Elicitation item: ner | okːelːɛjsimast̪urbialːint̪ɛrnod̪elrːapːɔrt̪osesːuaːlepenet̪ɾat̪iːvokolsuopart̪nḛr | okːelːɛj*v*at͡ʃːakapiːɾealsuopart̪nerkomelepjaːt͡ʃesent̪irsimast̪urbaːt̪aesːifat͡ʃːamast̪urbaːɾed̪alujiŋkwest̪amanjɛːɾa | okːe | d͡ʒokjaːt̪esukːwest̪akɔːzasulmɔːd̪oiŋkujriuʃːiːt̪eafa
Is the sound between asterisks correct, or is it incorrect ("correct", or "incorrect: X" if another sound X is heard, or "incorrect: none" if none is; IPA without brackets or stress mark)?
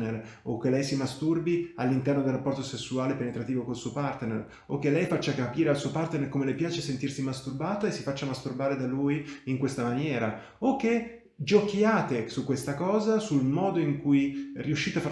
incorrect: f